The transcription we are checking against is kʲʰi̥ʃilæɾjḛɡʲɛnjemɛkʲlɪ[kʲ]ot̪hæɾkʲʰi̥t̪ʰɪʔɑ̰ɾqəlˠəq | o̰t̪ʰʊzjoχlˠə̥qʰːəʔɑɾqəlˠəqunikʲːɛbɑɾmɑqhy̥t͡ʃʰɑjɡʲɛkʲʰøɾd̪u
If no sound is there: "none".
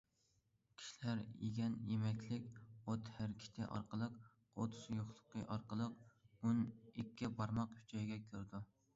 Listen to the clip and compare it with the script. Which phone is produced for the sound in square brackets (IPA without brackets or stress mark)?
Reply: kʲ